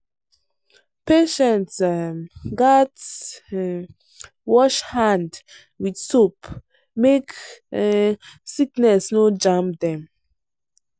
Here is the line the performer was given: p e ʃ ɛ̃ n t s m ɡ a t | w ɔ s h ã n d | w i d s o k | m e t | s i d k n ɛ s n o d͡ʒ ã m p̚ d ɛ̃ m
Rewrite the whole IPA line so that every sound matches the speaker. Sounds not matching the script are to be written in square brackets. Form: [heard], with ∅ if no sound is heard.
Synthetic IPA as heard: p e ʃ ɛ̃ n t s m ɡ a t | w ɔ [ʃ] h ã n d | w i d s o [p] | m e [k] | s i [∅] k n ɛ s n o d͡ʒ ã m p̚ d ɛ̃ m